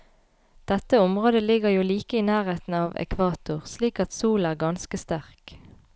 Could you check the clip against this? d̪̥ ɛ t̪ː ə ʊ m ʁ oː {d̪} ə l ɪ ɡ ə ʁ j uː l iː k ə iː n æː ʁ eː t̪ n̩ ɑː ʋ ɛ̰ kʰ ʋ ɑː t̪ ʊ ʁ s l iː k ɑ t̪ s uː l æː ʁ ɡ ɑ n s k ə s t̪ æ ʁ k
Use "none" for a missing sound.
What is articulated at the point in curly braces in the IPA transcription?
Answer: d̪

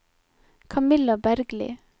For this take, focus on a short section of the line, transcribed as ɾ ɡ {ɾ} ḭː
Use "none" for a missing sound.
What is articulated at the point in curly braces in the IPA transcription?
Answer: l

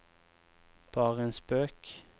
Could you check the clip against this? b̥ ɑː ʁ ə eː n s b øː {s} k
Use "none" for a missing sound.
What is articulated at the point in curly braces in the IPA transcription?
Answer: none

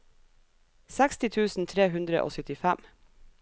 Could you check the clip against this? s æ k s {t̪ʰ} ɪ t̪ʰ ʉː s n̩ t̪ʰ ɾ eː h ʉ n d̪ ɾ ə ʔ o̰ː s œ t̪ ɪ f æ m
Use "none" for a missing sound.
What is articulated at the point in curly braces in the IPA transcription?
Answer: t̪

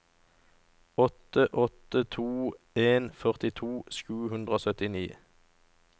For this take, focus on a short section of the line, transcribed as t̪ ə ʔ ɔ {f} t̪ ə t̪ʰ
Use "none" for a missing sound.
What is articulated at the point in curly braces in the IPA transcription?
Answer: none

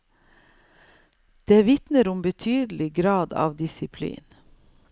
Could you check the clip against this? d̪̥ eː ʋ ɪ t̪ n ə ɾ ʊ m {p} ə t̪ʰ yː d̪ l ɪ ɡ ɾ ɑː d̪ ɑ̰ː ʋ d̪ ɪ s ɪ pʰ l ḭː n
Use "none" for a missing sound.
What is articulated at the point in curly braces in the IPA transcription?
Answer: b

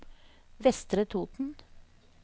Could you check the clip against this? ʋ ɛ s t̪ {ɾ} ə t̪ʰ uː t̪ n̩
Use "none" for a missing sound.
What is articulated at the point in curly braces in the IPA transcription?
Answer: ɾ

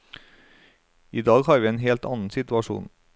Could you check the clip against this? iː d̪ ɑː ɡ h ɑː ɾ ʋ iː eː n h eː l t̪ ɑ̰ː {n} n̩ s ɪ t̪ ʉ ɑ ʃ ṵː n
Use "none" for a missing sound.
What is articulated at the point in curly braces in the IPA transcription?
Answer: n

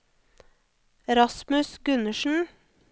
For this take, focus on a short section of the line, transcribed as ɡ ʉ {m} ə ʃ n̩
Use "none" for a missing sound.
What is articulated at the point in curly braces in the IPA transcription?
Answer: n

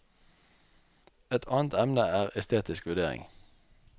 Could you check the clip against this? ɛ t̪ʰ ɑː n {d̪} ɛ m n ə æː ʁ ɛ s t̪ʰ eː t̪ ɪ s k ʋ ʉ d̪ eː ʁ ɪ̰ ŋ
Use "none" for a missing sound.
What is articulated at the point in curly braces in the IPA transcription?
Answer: t̪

